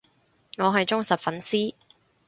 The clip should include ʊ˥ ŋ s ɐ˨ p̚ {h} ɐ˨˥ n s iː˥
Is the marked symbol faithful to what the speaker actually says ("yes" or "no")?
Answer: no